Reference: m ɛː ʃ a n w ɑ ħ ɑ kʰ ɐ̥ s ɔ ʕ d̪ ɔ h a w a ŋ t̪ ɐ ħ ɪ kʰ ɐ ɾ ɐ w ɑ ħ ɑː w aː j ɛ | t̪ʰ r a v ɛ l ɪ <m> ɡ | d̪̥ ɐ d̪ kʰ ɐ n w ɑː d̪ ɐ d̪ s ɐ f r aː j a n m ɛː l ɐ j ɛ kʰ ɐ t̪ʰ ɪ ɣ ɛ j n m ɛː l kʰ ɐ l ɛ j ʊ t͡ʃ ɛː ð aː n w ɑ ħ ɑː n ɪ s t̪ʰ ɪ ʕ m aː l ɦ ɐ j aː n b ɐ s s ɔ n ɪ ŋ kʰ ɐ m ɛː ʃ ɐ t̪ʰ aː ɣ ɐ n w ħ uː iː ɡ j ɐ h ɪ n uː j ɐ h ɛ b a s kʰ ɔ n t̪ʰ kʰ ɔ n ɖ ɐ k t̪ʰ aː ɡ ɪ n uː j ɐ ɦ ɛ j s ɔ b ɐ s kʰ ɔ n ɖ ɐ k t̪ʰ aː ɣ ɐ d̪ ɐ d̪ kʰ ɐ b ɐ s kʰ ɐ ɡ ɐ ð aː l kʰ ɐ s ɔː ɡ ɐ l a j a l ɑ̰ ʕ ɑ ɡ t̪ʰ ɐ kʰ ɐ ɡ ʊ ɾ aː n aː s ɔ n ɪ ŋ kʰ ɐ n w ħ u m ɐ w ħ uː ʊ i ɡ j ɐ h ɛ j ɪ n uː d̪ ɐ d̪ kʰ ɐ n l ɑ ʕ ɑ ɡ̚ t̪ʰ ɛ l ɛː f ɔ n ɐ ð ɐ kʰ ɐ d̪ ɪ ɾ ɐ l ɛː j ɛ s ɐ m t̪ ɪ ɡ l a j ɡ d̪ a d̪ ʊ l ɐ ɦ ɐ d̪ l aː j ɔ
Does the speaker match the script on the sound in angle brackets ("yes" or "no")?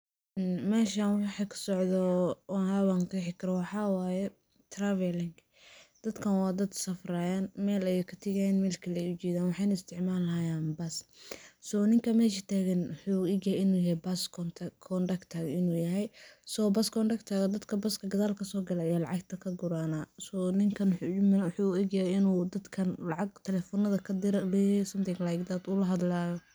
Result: no